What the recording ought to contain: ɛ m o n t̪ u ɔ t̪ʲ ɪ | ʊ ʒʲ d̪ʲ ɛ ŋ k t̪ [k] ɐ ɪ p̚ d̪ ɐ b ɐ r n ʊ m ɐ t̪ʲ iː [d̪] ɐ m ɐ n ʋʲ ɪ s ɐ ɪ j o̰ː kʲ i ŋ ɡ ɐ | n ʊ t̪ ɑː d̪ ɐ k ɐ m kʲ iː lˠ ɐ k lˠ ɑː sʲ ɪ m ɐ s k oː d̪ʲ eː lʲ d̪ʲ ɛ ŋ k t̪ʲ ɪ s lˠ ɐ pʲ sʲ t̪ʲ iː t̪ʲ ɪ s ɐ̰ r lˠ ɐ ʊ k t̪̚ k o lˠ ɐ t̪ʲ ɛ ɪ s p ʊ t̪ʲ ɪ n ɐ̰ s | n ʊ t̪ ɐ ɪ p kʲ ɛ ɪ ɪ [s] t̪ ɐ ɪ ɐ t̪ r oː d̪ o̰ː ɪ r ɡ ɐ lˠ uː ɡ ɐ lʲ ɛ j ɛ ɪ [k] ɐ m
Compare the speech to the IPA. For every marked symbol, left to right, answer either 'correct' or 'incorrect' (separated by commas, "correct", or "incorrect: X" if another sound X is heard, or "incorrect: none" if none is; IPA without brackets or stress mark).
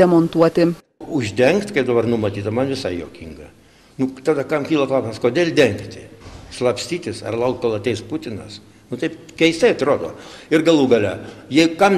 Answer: correct, incorrect: t̪, correct, correct